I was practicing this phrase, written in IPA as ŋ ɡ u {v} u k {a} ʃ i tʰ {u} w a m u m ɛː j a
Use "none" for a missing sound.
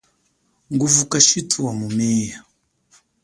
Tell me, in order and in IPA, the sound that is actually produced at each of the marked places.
v, a, u

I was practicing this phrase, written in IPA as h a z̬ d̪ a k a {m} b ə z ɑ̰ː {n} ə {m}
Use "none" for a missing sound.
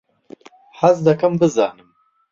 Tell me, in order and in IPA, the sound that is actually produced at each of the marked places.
m, n, m

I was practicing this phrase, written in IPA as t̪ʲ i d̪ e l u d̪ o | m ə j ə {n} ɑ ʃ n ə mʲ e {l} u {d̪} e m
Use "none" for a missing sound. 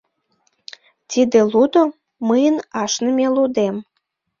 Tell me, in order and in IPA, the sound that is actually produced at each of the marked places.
n, l, d̪

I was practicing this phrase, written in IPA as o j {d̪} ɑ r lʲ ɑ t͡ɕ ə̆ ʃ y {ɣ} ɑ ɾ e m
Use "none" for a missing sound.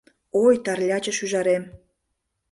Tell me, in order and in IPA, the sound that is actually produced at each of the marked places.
t̪, ʒ

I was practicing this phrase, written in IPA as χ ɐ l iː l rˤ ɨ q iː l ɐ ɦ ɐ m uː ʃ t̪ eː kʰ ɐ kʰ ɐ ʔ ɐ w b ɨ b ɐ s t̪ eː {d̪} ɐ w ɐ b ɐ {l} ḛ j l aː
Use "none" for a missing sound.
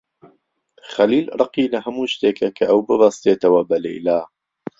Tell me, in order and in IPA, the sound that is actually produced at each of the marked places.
t̪, l

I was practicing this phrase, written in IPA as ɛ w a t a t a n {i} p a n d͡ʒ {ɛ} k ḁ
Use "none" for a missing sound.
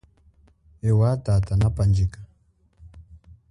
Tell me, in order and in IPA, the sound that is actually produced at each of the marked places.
a, i

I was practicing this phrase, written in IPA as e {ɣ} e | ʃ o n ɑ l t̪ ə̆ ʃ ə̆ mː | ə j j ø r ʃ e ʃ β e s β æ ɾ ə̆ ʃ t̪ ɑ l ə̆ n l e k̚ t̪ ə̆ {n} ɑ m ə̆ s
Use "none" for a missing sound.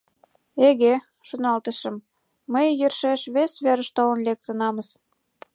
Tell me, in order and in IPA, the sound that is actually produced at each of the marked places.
ɣ, n

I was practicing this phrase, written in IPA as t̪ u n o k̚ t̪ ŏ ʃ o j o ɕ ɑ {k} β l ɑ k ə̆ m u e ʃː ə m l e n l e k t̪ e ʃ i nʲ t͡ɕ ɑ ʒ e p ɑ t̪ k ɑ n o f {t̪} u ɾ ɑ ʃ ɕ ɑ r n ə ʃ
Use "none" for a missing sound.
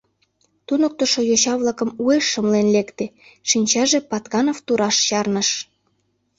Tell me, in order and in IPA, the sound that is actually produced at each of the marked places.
none, t̪

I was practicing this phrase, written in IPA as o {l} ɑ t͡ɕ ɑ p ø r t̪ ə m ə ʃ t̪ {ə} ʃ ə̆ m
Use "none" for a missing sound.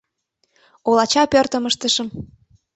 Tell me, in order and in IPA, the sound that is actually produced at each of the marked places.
l, ə

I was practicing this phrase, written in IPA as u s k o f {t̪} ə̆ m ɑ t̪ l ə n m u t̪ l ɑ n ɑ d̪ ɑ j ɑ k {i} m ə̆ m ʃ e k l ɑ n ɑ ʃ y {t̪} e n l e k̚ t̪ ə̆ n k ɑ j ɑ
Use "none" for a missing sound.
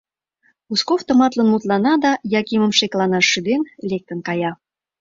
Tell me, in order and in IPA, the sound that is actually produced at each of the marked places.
t̪, i, d̪

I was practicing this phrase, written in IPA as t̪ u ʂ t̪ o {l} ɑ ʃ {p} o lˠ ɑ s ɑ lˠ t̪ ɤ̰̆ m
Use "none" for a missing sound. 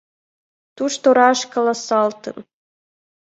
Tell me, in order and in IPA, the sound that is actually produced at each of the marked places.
ɾ, k

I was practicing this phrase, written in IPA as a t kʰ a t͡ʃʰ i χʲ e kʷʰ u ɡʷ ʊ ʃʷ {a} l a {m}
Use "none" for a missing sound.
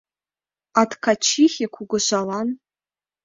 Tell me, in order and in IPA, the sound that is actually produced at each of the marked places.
a, n

